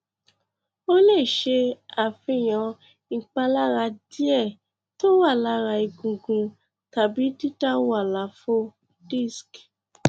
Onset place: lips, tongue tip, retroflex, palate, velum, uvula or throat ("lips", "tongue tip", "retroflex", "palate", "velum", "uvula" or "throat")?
tongue tip